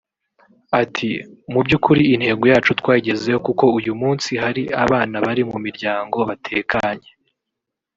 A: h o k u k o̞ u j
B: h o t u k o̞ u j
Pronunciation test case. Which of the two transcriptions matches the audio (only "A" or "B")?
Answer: A